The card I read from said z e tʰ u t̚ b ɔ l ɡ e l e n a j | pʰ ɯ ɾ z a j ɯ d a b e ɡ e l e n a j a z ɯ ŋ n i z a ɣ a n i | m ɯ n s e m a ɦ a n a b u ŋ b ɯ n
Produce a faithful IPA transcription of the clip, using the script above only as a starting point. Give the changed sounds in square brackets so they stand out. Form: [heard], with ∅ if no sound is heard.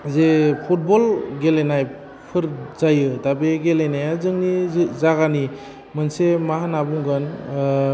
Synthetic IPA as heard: z e [pʰ] u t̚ b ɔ l ɡ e l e n a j | pʰ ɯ ɾ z a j ɯ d a b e ɡ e l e n a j a z ɯ ŋ n i z a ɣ a n i | m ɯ n s e m a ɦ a n a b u ŋ [ɡ] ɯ n